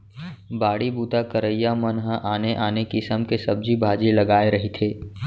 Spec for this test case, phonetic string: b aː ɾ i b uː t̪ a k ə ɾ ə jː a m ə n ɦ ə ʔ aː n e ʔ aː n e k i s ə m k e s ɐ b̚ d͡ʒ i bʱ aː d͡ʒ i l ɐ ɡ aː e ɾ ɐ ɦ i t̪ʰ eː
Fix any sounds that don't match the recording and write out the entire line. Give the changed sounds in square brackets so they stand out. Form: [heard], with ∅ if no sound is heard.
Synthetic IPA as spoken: b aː [ɽ] i b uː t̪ a k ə ɾ ə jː a m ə n ɦ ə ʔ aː n e ʔ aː n e k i s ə m k e s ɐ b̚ d͡ʒ i bʱ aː d͡ʒ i l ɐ ɡ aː e ɾ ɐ ɦ i t̪ʰ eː